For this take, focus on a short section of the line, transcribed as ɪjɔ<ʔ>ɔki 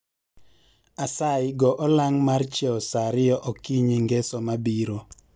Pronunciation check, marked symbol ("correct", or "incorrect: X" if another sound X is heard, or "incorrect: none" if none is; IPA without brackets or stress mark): correct